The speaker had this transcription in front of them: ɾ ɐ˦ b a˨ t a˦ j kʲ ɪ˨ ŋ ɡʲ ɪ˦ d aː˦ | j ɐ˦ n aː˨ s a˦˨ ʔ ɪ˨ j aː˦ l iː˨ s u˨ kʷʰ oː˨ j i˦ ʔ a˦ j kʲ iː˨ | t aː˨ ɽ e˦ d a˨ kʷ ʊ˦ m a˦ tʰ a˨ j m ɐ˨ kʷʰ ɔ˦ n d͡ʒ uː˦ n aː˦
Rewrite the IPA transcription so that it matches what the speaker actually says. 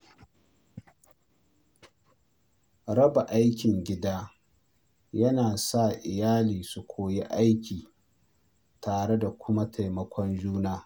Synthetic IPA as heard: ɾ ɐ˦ b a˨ ʔ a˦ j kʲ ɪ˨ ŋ ɡʲ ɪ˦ d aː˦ | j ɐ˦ n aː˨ s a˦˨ ʔ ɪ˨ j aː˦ l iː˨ s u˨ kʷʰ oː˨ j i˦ ʔ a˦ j kʲ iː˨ | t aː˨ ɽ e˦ d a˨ kʷ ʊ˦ m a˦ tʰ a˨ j m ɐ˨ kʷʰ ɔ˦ n d͡ʒ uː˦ n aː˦